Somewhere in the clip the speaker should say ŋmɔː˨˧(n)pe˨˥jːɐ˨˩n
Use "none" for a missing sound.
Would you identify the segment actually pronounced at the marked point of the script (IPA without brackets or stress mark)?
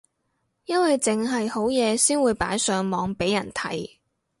ŋ